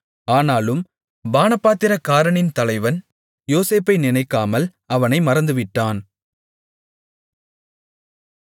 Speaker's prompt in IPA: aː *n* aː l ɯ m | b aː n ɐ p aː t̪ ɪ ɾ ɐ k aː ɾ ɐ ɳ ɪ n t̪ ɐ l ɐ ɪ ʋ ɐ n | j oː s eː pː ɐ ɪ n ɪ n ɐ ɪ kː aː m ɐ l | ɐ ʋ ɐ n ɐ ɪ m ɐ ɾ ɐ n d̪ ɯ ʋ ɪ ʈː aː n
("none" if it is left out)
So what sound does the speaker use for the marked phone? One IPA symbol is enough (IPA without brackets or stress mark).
n